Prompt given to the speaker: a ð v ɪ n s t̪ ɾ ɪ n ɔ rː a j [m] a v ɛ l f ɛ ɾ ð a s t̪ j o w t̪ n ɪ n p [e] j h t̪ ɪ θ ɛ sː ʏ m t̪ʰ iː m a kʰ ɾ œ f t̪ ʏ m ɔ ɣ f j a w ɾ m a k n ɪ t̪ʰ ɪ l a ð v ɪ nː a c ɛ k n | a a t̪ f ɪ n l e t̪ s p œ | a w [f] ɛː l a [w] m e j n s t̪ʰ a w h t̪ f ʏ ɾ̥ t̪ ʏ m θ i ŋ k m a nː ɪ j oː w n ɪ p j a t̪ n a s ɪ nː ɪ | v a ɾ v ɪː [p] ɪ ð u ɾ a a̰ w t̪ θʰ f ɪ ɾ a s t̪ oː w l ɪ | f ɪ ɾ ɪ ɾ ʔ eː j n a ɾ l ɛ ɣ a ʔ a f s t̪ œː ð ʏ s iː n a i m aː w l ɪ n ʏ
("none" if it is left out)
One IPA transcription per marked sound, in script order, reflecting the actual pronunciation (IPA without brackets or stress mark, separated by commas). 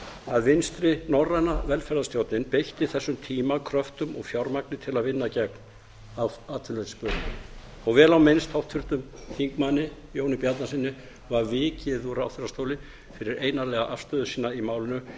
n, e, v, w, c